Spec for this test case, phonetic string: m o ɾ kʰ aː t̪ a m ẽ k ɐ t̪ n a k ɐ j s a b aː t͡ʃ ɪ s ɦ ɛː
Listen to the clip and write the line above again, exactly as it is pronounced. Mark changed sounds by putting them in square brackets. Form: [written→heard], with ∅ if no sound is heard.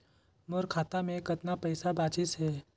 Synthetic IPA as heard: m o ɾ kʰ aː t̪ a m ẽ k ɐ t̪ n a [k→p] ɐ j s a b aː t͡ʃ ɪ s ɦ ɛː